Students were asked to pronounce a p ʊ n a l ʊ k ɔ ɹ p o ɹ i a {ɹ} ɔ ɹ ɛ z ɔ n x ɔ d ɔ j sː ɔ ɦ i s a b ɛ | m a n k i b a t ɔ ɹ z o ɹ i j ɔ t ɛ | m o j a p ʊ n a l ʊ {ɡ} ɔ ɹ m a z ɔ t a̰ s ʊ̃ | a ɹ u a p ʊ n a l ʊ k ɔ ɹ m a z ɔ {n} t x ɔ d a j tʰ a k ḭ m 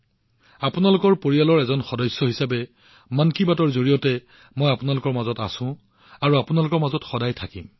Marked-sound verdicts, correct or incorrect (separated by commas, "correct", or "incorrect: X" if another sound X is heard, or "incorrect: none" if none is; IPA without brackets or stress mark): incorrect: l, incorrect: k, incorrect: none